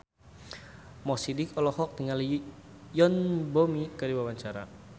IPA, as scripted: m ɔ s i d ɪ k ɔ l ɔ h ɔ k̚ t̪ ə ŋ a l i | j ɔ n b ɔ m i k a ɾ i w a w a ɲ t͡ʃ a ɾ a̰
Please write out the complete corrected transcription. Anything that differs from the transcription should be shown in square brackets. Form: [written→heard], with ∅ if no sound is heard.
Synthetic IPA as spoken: m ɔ s i d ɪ k ɔ l ɔ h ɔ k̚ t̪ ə ŋ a l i | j ɔ n b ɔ m i k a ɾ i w a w a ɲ t͡ʃ a ɾ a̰